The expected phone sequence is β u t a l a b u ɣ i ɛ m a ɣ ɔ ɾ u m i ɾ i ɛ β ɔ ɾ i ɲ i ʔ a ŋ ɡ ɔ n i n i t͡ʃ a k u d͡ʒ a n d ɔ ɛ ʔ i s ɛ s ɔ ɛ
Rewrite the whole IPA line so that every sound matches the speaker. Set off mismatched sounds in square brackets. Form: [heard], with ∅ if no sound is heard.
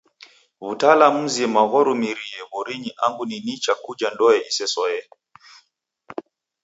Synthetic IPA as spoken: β u t a l a [m] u [z] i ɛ m a ɣ ɔ ɾ u m i ɾ i ɛ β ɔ ɾ i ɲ i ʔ a ŋ ɡ [u] n i n i t͡ʃ a k u d͡ʒ a n d ɔ ɛ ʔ i s ɛ s ɔ ɛ